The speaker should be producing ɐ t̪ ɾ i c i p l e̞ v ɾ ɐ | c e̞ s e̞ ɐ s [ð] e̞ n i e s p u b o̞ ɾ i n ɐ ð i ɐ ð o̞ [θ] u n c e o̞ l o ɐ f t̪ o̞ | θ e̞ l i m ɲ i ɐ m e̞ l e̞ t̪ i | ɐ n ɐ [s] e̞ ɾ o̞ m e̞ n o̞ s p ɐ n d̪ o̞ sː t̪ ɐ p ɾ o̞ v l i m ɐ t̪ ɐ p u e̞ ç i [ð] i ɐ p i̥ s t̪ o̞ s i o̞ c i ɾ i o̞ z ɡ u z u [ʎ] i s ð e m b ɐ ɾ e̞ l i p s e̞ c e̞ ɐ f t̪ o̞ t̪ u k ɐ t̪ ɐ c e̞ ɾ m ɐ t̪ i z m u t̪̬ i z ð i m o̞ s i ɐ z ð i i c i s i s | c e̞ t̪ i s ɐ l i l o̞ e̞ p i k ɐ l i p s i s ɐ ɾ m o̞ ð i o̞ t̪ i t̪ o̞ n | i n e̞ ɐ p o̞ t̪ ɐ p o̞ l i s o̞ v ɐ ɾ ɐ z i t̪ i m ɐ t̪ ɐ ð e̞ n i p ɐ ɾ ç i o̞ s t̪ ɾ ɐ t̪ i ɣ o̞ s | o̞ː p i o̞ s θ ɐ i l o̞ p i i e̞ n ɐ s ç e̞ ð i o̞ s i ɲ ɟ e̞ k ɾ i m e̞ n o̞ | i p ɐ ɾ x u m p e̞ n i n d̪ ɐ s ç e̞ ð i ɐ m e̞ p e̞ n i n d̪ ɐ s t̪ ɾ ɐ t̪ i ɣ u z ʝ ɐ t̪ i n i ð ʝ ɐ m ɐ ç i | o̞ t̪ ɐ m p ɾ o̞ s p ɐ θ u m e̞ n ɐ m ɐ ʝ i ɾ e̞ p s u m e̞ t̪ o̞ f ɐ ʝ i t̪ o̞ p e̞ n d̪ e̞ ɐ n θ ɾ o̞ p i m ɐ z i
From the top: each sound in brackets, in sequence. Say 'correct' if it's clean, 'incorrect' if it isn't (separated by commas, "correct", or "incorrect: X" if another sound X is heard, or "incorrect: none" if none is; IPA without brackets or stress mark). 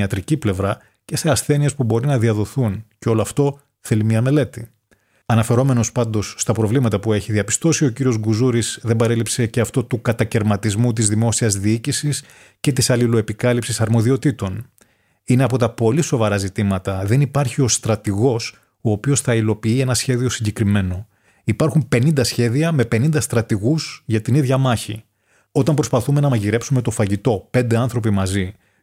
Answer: incorrect: θ, correct, incorrect: f, correct, incorrect: ɾ